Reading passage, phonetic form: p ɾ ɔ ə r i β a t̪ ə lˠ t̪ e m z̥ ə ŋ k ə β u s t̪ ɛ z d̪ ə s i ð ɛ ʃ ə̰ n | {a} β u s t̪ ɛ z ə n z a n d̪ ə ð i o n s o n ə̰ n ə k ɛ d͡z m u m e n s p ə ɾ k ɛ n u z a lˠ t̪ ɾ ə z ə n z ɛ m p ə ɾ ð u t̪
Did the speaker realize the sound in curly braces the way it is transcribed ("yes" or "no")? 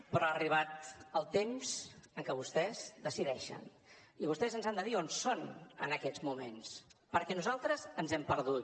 no